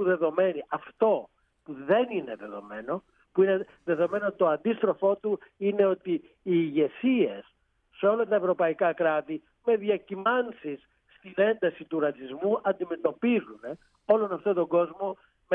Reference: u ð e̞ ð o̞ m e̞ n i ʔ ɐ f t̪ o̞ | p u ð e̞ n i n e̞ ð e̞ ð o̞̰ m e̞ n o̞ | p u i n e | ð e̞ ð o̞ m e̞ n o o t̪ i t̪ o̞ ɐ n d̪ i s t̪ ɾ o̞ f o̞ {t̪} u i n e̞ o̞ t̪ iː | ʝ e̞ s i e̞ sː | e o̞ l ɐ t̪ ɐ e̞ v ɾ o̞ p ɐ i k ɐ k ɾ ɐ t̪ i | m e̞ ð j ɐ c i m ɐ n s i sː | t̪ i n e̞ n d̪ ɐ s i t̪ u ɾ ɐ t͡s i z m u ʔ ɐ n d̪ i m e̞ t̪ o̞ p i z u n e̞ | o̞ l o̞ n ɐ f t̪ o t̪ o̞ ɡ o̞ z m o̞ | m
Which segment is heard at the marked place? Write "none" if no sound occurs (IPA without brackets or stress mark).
t̪